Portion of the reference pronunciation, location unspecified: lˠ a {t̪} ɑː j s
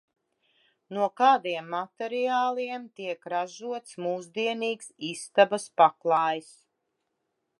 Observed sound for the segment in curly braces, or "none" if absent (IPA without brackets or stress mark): none